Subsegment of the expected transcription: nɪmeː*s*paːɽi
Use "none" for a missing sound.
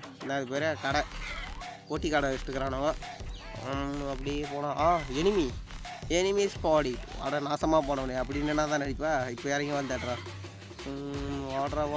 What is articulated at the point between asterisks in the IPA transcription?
s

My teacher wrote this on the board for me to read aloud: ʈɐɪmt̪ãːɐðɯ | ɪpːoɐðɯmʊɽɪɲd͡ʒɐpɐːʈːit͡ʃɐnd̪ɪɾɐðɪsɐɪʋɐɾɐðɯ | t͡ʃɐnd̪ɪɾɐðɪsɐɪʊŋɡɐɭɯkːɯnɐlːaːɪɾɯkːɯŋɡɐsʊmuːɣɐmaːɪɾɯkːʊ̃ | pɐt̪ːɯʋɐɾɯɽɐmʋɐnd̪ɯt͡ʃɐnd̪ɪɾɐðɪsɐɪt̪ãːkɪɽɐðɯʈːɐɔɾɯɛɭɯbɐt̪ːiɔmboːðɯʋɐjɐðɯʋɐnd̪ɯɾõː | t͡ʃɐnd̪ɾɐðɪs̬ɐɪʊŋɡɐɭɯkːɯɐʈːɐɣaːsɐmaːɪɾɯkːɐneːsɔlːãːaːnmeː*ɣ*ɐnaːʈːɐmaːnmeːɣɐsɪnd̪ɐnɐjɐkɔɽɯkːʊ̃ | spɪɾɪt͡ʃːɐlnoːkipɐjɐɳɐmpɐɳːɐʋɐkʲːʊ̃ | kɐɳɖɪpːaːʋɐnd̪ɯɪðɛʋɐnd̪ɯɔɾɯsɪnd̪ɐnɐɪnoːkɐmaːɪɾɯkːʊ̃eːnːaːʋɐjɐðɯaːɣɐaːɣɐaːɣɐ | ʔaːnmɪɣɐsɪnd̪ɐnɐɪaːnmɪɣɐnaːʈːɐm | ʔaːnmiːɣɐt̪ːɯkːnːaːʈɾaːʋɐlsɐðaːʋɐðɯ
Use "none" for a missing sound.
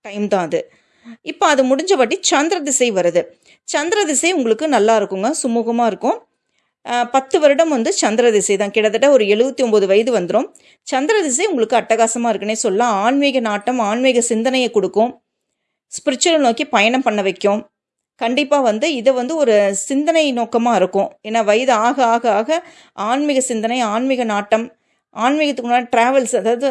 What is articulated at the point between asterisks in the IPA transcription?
ɣ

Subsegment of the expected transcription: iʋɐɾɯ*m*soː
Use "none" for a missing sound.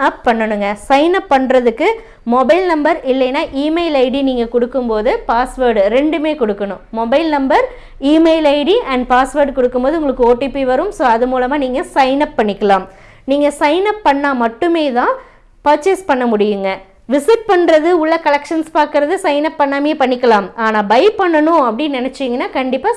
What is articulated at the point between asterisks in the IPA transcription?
m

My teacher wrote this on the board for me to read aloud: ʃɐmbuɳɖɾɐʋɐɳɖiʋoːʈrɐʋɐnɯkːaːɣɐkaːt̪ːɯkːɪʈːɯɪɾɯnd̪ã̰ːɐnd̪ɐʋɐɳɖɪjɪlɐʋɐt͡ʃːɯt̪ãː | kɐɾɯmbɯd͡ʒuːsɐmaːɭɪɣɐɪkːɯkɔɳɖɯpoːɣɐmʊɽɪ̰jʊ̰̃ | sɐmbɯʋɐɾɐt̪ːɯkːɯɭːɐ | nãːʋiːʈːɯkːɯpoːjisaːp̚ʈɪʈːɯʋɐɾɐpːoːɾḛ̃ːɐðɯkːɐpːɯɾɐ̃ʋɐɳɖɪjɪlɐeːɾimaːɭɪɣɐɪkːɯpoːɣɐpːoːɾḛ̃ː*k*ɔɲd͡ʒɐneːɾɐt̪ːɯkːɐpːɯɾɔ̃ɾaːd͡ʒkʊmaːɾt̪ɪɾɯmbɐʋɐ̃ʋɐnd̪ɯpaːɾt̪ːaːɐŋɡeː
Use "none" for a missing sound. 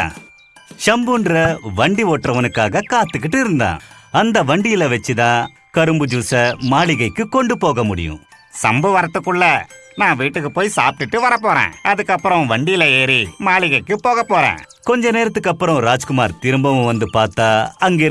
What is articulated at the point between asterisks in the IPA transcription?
k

